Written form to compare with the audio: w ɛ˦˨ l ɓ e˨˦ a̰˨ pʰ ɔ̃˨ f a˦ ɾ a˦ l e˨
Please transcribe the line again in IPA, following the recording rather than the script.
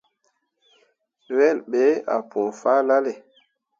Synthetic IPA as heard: w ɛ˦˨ l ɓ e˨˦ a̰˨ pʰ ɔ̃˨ f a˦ l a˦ l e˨